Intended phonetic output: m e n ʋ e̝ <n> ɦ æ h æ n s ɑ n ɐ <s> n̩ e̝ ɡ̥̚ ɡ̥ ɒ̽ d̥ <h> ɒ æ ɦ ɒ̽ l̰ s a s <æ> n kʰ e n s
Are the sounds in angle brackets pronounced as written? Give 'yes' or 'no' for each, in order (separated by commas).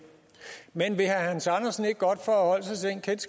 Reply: no, yes, no, no